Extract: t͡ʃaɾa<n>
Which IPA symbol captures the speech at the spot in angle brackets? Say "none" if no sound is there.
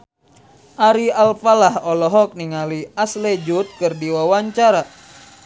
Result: none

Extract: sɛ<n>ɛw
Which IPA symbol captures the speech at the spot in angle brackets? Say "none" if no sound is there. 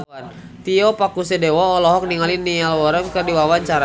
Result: d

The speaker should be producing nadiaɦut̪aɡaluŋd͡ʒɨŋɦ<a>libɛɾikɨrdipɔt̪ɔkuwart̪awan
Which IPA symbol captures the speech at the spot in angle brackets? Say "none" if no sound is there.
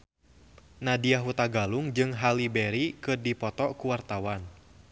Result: a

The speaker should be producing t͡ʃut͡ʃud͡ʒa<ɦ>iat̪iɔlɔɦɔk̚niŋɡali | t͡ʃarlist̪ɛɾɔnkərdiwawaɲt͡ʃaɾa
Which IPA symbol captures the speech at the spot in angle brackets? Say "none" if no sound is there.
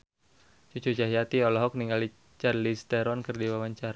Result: ɦ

